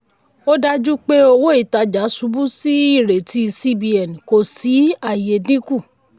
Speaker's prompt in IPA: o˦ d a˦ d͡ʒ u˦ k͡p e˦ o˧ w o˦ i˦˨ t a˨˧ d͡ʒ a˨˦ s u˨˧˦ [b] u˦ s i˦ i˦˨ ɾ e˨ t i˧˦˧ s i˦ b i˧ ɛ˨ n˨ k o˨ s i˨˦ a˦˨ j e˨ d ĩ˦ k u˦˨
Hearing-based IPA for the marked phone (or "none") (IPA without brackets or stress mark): b